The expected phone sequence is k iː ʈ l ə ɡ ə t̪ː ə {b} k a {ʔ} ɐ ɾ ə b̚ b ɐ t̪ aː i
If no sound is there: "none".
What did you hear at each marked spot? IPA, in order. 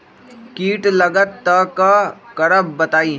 none, k

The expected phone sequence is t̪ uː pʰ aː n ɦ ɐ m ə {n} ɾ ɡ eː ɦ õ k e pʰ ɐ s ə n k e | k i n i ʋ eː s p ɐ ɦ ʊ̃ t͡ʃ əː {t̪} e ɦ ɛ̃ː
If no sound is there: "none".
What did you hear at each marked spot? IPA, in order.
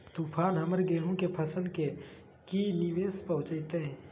none, t̪

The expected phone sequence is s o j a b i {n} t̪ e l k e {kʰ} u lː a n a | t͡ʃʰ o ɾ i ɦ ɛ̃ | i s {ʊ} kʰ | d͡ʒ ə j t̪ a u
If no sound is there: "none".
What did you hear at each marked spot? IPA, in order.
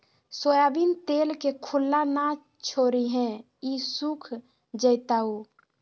n, kʰ, u

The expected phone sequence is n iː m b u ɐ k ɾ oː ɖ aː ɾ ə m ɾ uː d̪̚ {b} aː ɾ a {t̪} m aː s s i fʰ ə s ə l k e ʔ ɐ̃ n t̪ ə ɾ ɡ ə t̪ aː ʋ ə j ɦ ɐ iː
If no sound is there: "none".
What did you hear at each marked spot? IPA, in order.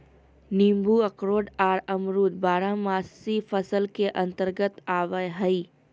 b, none

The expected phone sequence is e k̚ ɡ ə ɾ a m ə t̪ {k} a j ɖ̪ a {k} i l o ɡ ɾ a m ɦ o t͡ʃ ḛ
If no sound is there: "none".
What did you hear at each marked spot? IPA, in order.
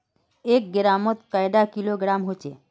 k, k

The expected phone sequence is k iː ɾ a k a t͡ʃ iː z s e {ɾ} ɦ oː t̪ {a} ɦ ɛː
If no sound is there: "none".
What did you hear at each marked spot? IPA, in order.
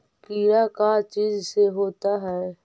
none, a

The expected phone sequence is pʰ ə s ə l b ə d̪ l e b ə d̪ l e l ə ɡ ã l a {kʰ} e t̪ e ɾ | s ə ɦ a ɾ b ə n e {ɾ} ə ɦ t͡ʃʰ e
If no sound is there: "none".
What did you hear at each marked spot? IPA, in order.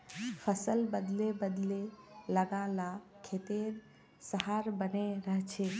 kʰ, ɾ

